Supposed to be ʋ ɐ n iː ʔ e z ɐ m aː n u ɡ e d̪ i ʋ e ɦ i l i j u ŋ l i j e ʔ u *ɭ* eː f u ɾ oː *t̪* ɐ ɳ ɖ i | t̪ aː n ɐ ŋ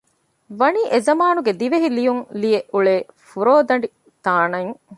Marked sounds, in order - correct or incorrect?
correct, incorrect

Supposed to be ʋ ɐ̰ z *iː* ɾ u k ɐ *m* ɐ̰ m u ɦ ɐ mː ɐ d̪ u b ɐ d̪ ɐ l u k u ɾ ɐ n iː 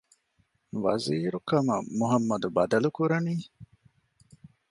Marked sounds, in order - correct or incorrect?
correct, correct

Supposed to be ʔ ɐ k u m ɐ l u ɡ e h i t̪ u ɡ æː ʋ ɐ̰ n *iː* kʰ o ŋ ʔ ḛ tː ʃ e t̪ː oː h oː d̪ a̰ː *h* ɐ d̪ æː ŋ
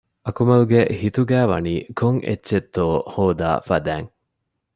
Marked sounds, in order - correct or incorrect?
correct, incorrect

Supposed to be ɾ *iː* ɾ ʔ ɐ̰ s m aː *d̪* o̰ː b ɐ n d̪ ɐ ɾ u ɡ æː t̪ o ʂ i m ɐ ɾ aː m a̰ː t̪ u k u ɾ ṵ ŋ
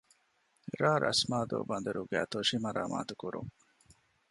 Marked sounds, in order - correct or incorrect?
incorrect, correct

